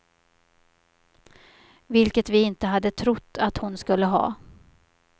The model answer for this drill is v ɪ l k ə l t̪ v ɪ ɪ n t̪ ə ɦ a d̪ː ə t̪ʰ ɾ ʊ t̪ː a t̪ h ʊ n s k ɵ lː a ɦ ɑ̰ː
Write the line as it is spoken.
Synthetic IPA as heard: v ɪ l k ə t̪ v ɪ ɪ n t̪ ə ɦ a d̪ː ə t̪ʰ ɾ ʊ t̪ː a t̪ h ʊ n s k ɵ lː ə ɦ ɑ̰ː